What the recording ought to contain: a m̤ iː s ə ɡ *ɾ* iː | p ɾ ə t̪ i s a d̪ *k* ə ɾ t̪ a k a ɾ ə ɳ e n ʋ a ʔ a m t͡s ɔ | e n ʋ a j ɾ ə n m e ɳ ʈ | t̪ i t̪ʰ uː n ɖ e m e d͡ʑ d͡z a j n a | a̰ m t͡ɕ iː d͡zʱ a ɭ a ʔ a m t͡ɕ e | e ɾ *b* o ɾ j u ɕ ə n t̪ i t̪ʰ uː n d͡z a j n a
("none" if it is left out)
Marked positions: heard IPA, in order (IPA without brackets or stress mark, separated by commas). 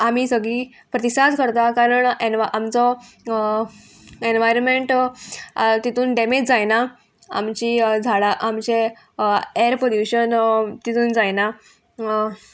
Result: ɭ, k, p